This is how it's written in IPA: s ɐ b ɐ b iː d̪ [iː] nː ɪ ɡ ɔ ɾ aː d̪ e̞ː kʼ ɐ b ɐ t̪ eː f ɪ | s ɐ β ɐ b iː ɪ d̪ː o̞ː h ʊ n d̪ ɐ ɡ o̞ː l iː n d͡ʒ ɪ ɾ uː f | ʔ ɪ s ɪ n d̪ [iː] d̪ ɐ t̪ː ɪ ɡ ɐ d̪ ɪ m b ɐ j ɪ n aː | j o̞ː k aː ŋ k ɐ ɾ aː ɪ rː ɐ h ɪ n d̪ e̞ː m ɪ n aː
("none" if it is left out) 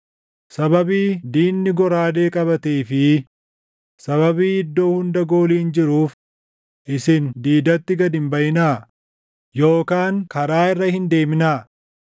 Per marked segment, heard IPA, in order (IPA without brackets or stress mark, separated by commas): iː, iː